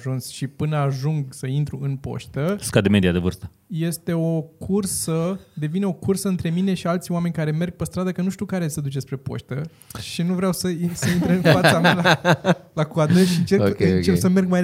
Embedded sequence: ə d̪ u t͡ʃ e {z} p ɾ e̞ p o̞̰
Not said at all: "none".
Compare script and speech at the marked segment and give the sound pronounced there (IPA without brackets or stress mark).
s